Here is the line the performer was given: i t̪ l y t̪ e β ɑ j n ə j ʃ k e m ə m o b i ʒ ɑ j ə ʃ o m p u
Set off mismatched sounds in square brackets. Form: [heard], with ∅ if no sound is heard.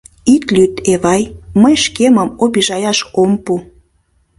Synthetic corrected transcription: i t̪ l y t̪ e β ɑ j [m] ə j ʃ k e m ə m o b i ʒ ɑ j [ɑ] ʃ o m p u